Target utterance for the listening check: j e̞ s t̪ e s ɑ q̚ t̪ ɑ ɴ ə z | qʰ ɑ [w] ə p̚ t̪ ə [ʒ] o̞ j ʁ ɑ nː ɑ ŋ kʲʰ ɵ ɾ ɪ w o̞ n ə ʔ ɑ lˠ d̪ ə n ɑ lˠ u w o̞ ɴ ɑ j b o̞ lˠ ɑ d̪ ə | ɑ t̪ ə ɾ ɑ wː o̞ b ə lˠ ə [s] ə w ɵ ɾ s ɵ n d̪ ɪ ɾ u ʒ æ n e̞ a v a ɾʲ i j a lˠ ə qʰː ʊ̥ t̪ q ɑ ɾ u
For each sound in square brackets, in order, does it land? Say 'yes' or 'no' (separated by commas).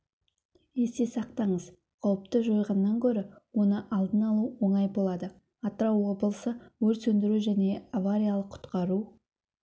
yes, yes, yes